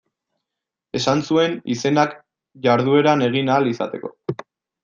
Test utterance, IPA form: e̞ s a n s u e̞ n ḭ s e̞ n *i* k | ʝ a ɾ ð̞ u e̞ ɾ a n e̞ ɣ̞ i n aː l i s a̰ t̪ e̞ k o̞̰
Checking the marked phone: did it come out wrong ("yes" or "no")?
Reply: yes